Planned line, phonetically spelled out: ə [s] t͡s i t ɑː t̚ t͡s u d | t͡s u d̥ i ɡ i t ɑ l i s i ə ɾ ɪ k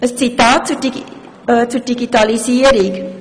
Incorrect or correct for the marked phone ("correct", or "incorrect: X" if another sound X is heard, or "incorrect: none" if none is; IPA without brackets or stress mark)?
correct